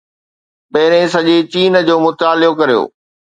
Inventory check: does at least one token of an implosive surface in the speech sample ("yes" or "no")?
yes